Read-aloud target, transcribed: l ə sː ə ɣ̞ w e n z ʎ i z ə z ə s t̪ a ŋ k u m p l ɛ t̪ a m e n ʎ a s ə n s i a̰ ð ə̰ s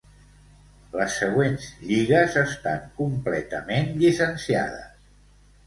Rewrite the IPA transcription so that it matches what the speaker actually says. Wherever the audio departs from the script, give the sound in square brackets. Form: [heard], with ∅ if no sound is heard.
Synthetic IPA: l ə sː ə ɣ̞ w e n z ʎ i [ɣ] ə z ə s t̪ a ŋ k u m p l ɛ t̪ [ə] m e n ʎ [i] s ə n s i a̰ ð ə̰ s